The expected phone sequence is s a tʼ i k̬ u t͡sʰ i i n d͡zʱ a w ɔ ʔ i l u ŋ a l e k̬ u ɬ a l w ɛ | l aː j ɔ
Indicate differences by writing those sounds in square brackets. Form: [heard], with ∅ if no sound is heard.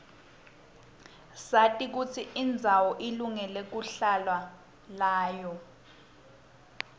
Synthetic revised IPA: s a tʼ i k̬ u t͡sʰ i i n d͡zʱ a w ɔ ʔ i l u ŋ [ɛ] l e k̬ u ɬ a l w [a] | l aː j ɔ